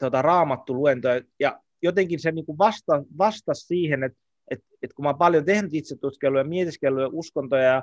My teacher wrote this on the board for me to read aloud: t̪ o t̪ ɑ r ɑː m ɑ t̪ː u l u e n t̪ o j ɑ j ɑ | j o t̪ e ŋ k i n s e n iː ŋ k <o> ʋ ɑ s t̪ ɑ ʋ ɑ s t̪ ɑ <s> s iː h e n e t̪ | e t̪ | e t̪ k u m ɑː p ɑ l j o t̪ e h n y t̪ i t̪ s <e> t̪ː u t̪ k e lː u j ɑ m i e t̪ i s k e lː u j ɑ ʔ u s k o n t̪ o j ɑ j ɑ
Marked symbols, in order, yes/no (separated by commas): no, yes, yes